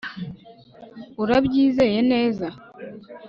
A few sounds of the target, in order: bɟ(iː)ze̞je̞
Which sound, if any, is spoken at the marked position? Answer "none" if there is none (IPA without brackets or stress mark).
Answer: iː